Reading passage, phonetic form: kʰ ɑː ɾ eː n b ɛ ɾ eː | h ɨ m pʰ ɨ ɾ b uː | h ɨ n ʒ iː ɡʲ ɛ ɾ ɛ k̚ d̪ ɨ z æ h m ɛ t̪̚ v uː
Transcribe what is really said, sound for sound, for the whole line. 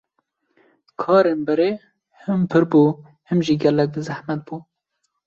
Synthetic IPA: kʰ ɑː ɾ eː n b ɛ ɾ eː | h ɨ m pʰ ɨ ɾ b uː | h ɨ m ʒ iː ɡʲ ɛ l ɛ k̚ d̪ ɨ z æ h m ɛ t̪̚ b uː